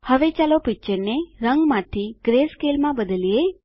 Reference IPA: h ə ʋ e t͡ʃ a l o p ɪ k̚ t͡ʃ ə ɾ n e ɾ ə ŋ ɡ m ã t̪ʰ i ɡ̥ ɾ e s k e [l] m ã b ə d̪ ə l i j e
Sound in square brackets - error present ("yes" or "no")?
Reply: no